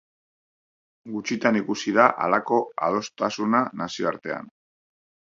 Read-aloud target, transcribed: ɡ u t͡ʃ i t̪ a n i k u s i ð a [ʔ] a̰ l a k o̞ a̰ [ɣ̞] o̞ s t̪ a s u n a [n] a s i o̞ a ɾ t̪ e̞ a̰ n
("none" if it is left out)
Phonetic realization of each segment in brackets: ʔ, ð̞, n

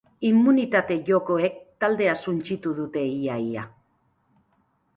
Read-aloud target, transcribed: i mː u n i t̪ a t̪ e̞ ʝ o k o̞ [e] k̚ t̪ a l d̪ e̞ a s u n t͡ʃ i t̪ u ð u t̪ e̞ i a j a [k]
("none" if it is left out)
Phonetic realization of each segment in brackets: e, none

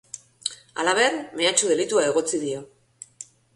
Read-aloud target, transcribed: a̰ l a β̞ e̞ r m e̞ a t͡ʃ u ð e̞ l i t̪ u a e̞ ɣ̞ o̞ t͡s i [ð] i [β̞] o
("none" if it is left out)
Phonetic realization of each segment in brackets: ð, none

